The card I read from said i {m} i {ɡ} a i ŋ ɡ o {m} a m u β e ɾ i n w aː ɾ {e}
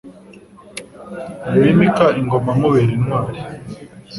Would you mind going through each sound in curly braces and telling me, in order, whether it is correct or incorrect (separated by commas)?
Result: correct, incorrect, correct, incorrect